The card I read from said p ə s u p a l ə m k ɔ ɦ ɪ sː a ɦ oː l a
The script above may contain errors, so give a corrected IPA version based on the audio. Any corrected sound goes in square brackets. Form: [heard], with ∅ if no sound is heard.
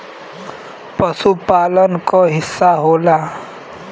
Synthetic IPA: p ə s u p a l ə [n] k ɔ ɦ ɪ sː a ɦ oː l a